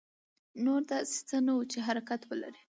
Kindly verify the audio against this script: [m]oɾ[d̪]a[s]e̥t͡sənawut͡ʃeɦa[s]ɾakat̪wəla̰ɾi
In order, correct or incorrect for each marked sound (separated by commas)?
incorrect, correct, correct, incorrect